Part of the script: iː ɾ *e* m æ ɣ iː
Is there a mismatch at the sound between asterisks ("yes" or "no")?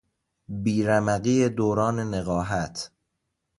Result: yes